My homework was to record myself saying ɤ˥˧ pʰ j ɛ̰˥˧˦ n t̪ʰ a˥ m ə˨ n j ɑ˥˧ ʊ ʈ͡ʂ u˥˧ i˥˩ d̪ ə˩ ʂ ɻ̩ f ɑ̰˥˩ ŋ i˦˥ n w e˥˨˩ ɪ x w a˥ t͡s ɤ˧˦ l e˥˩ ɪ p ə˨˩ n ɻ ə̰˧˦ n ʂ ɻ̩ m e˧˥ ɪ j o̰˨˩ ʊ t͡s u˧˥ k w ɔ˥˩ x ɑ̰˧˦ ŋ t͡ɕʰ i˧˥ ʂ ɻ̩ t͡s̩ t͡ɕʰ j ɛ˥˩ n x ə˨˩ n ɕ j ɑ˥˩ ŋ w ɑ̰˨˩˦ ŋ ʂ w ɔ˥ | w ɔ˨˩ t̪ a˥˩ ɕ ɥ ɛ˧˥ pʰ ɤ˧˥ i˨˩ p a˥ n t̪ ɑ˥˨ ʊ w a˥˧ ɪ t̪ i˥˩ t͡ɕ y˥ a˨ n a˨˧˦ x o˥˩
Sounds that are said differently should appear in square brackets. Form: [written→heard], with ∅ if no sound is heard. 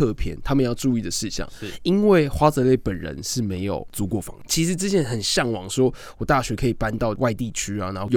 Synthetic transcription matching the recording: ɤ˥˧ pʰ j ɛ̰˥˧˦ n t̪ʰ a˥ m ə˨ n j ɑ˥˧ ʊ ʈ͡ʂ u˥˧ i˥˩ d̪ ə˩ ʂ ɻ̩ [f→ɕ] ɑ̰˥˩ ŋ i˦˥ n w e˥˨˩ ɪ x w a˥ t͡s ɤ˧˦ l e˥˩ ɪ p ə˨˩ n ɻ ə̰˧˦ n ʂ ɻ̩ m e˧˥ ɪ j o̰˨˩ ʊ t͡s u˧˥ k w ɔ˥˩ [x→f] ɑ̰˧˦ ŋ t͡ɕʰ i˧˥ ʂ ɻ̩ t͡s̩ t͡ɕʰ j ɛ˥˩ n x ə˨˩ n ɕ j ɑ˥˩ ŋ w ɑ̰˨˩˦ ŋ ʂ w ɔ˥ | w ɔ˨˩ t̪ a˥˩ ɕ ɥ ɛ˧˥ [pʰ→kʰ] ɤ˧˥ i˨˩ p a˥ n t̪ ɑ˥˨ ʊ w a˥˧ ɪ t̪ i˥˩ [t͡ɕ→t͡ɕʰ] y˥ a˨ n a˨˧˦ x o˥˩